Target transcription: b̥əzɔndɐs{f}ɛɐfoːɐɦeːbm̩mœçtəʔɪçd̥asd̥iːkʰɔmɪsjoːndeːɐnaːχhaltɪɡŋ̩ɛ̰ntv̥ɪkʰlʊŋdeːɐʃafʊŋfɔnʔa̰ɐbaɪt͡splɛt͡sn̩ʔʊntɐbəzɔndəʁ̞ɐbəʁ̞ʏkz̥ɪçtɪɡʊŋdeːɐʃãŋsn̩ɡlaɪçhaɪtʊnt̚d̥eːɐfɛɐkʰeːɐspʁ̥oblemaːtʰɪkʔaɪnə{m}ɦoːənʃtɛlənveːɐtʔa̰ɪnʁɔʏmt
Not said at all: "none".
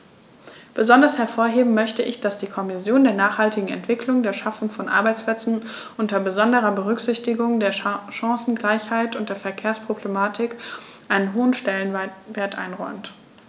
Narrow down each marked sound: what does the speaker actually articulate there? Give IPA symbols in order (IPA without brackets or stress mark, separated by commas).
h, n